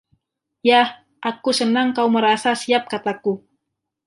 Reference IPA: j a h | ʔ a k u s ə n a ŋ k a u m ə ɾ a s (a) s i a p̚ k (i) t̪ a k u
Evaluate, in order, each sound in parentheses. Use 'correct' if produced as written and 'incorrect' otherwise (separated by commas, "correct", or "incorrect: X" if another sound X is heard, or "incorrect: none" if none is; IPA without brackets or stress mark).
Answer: correct, incorrect: a